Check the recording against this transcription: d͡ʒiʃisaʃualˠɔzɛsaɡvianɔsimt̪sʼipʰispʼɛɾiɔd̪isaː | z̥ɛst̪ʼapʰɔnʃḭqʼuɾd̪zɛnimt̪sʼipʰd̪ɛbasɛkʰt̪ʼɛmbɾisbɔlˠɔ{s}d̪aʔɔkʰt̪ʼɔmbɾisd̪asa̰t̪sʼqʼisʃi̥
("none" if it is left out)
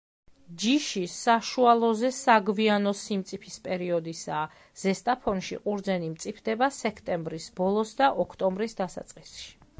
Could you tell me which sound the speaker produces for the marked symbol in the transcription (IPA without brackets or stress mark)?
s